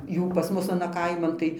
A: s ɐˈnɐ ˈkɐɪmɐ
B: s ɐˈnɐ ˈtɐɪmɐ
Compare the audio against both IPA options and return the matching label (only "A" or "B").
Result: A